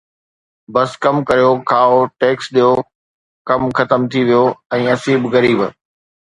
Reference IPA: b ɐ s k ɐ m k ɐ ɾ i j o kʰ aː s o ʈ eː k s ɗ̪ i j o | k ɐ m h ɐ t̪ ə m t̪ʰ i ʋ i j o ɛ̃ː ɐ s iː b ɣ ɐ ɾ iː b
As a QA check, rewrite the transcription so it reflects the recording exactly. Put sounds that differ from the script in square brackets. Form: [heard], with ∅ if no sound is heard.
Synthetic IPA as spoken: b ɐ s k ɐ m k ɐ ɾ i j o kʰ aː [∅] o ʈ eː k s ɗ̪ i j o | k ɐ m [x] ɐ t̪ ə m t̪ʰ i ʋ i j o ɛ̃ː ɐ s iː b ɣ ɐ ɾ iː b